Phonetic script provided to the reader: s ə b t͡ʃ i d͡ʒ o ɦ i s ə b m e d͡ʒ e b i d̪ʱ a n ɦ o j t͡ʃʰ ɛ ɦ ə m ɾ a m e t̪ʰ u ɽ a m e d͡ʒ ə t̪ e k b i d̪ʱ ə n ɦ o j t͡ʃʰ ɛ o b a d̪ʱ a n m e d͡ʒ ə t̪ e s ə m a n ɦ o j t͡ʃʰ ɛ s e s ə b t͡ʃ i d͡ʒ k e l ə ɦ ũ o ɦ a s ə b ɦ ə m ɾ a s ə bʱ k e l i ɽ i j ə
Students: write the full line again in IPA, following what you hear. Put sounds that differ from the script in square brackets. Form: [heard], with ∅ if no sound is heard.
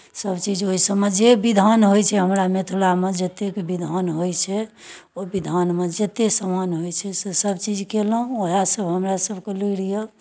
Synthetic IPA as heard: s ə b t͡ʃ i d͡ʒ o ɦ i s ə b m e d͡ʒ e b i d̪ʱ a n ɦ o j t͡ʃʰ ɛ ɦ ə m ɾ a m e t̪ʰ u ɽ a m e d͡ʒ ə t̪ e k b i d̪ʱ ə n ɦ o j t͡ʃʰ ɛ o b [i] d̪ʱ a n m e d͡ʒ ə t̪ e s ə m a n ɦ o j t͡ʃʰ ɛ s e s ə b t͡ʃ i d͡ʒ k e l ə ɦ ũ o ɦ a s ə b ɦ ə m ɾ a s ə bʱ k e l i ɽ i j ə